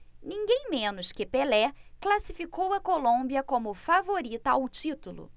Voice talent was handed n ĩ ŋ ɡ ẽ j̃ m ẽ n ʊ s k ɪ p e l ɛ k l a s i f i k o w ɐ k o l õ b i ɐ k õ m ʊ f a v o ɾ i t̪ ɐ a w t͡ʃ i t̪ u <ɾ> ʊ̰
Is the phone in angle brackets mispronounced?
yes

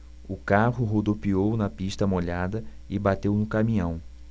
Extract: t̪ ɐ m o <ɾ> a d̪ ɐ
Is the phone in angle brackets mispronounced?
yes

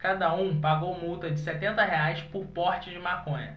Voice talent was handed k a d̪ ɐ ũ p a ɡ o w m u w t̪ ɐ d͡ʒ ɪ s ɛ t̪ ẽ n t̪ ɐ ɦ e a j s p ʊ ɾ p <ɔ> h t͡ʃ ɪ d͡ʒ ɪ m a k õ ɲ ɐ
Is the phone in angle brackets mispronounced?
no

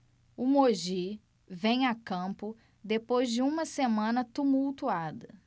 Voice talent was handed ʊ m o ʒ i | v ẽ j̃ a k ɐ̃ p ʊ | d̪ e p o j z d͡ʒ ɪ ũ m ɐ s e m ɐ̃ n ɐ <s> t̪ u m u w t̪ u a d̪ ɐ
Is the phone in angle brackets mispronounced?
yes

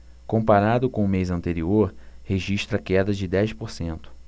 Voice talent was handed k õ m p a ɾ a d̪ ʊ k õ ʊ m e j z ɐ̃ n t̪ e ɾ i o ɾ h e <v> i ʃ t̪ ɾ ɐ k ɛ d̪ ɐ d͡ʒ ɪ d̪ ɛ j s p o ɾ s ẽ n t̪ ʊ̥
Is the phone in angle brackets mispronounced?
yes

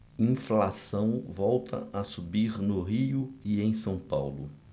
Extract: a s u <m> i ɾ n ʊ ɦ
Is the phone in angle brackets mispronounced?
yes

